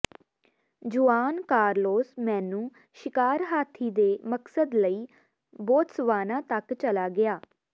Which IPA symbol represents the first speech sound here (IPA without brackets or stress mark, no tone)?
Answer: d͡ʒ